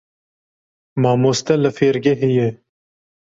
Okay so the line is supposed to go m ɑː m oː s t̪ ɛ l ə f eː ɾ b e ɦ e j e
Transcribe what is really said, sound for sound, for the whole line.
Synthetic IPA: m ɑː m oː s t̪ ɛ l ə f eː ɾ ɡ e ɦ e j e